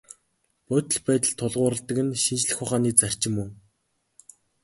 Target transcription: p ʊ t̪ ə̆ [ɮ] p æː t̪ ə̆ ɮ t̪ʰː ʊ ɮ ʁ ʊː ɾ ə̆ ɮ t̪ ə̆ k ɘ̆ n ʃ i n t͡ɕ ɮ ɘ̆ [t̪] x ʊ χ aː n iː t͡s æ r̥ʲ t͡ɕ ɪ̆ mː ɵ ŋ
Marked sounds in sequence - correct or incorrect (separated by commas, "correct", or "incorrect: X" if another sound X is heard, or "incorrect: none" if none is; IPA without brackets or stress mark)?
correct, incorrect: none